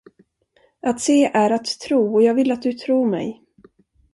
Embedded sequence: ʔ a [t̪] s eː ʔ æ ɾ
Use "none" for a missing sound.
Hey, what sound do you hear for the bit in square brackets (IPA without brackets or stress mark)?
t̪